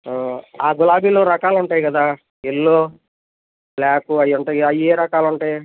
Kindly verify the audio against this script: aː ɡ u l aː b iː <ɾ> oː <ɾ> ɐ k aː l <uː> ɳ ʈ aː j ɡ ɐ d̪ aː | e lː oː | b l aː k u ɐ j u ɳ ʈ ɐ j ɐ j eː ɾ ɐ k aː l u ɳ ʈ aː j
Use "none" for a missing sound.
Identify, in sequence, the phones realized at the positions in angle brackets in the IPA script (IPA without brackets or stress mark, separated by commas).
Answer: l, ɾ, u